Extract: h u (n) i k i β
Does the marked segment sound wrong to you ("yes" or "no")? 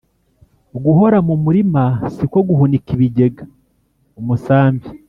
no